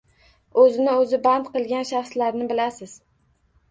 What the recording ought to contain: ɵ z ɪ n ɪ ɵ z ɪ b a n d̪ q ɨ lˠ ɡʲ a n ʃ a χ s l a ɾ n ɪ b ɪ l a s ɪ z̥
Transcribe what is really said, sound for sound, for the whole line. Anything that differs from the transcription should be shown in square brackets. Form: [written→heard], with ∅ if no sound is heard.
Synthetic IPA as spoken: ɵ z ɪ n ɪ ɵ z ɪ b a n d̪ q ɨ lˠ ɡʲ a n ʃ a χ s l a ɾ n ɪ b ɪ l a s ɪ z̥